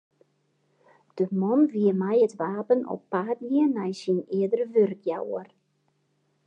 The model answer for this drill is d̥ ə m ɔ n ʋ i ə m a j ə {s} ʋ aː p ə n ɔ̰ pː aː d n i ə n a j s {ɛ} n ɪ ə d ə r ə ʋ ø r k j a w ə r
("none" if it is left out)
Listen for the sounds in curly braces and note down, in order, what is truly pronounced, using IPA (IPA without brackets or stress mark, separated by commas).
t, i